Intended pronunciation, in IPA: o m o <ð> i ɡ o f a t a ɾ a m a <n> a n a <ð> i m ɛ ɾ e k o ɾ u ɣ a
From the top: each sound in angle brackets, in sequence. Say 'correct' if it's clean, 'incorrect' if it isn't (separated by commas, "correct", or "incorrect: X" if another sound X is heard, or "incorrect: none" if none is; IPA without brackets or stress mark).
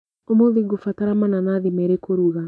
correct, correct, correct